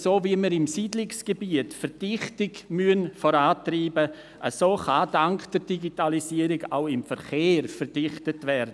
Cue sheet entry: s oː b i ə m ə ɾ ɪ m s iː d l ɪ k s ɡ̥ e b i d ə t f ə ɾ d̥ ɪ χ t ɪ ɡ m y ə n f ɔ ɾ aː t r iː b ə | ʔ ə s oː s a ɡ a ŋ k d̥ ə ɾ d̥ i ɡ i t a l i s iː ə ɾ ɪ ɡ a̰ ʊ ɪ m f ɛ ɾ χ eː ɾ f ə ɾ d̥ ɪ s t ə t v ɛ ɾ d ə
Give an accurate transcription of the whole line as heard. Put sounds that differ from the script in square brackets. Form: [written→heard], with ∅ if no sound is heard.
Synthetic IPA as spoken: s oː [b→v] i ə m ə ɾ ɪ m s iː d l ɪ k s ɡ̥ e b i [d→∅] ə t f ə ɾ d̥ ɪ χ t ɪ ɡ m y ə n f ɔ ɾ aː t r iː b ə | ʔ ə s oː [s→χ] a [ɡ→d] a ŋ k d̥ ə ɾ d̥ i ɡ i t a l i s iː ə ɾ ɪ ɡ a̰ ʊ ɪ m f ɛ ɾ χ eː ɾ f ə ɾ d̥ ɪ [s→χ] t ə t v ɛ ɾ d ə